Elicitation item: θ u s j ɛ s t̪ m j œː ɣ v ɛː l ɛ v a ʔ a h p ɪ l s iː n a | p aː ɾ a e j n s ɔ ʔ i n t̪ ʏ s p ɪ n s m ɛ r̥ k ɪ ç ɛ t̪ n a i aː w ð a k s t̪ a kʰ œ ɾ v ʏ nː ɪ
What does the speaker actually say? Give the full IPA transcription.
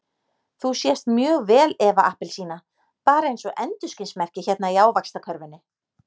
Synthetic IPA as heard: θ u s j ɛ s t̪ m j œː ɣ v ɛː l ɛ v a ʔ a h p ɪ l s iː n a | p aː ɾ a e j n s ɔ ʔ ɛ n t̪ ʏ s c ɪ n s m ɛ r̥ c ɪ ç ɛ t̪ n a i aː w v a k s t̪ a kʰ œ ɾ v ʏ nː ɪ

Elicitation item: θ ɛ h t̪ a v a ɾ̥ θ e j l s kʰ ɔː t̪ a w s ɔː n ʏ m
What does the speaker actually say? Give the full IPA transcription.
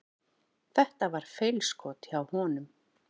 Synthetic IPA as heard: θ ɛ h t̪ a v a ɾ̥ f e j l s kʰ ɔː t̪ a w h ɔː n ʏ m

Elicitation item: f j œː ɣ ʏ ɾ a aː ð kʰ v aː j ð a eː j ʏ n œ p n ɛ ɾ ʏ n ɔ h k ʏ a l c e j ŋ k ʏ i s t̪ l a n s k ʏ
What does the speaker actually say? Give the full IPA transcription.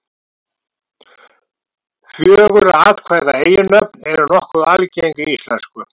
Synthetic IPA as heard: f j œː ɣ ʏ ɾ a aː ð kʰ v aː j ð a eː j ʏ n œ p n ɛ ɾ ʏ n ɔ h k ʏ a l c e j ŋ k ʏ i s t̪ l ɛ n s k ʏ

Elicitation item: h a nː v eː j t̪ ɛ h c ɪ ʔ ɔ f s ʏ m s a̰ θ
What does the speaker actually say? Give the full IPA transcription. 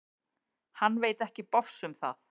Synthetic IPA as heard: h a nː v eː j t̪ ɛ h c ɪ p ɔ f s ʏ m θ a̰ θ

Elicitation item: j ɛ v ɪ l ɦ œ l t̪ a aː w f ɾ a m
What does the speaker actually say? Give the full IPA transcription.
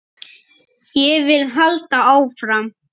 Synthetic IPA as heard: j ɛ v ɪ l ɦ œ l t̪ a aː w f ɾ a m

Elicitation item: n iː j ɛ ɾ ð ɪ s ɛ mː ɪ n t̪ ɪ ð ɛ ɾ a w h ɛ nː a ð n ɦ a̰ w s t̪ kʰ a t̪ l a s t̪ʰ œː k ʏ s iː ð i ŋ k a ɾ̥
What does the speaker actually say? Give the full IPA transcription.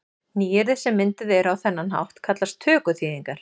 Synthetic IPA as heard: n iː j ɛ ɾ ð ɪ s ɛ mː ɪ n t̪ ɪ ð ɛ ɾ a w θ ɛ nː a n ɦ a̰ w h t̪ kʰ a t̪ l a s t̪ʰ œː k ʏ θ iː ð i ŋ k a ɾ̥

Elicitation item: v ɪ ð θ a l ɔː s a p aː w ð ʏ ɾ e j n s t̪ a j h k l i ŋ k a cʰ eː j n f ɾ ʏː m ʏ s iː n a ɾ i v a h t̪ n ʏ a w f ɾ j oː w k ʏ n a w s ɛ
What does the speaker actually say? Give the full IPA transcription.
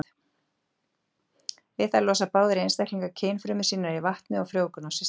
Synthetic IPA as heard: v ɪ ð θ a l ɔː s a p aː w ð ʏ ɾ e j n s t̪ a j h k l i ŋ k a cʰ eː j n f ɾ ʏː m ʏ s iː n a ɾ i v a h t̪ n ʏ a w f ɾ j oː w k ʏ n a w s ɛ

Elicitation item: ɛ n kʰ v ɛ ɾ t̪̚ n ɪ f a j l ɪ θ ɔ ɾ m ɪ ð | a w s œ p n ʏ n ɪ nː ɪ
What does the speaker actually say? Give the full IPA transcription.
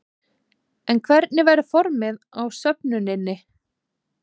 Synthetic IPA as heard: ɛ n kʰ v ɛ ɾ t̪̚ n ɪ v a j ɾ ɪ f ɔ ɾ m ɪ ð | a w s œ p n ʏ n ɪ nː ɪ

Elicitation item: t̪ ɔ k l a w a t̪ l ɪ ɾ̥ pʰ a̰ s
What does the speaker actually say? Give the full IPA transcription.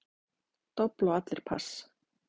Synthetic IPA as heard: t̪ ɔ p l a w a t̪ l ɪ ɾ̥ pʰ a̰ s

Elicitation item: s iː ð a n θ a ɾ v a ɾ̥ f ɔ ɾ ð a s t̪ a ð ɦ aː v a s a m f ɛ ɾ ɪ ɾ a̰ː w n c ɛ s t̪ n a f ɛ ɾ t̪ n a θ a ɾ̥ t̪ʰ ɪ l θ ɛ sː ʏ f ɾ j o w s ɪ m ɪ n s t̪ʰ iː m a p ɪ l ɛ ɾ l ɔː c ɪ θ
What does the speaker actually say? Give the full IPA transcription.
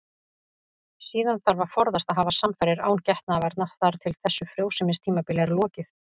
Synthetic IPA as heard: s iː ð a n θ a ɾ v a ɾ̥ f ɔ ɾ ð a s t̪ a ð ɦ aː v a s a m f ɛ ɾ ɪ ɾ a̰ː w n c ɛ h t̪ n a v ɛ ɾ t̪ n a θ a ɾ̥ t̪ʰ ɪ l θ ɛ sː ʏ f ɾ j o w s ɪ m ɪ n s t̪ʰ iː m a p ɪ l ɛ ɾ l ɔː c ɪ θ

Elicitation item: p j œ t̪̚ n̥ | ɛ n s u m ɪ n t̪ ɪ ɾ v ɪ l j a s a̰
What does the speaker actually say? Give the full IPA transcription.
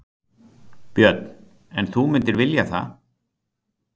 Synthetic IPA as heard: p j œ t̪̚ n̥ | ɛ n θ u m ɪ n t̪ ɪ ɾ v ɪ l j a θ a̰

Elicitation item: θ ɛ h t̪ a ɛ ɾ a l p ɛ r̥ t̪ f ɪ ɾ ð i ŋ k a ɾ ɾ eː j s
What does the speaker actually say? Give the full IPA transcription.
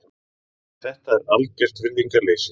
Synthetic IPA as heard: θ ɛ h t̪ a ɛ ɾ a l c ɛ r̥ t̪ v ɪ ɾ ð i ŋ k a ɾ l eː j s

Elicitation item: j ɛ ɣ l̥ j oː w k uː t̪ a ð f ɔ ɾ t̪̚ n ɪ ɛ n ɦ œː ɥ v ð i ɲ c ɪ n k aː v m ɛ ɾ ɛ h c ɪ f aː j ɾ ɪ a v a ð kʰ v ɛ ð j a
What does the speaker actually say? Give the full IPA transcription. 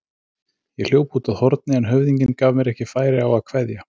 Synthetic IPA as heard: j ɛ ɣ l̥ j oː w p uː t̪ a ð h ɔ ɾ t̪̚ n ɪ ɛ n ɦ œ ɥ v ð i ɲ c ɪ n k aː v m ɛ ɾ ɛ h c ɪ f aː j ɾ ɪ a w a ð kʰ v ɛ ð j a

